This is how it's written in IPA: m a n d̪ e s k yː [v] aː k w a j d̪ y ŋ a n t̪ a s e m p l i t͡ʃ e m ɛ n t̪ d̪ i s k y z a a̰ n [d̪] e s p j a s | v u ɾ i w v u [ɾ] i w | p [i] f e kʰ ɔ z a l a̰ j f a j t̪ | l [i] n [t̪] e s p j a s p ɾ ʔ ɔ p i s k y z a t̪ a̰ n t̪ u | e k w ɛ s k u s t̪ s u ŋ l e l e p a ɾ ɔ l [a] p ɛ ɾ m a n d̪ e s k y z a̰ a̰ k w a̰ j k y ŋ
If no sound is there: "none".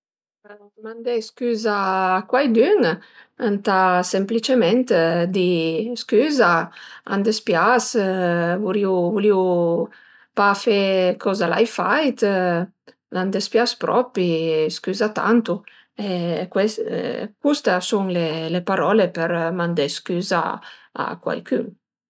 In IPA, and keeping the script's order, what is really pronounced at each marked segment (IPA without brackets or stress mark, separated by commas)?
z, d̪, l, a, a, d̪, e